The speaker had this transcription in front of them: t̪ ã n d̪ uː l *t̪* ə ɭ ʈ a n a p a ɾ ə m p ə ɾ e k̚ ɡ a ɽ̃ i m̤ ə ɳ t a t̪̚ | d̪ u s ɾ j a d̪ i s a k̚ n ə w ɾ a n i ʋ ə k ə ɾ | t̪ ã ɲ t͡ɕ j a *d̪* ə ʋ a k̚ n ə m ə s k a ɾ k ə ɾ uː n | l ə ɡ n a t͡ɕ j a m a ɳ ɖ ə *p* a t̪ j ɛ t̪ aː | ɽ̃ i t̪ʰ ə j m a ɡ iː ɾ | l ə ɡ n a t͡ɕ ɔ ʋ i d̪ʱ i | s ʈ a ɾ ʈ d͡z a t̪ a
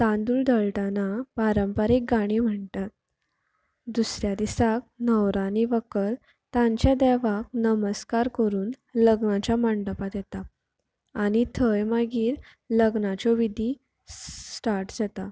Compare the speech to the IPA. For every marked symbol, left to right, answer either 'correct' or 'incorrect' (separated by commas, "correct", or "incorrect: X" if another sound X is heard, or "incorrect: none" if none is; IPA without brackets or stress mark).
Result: incorrect: d̪, correct, correct